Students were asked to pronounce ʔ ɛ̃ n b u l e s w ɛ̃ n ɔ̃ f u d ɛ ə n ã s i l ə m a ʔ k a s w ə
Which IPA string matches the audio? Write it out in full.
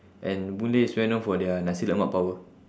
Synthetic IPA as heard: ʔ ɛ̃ n b u l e s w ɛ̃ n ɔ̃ f ɔ d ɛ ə n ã s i l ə m a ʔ p a w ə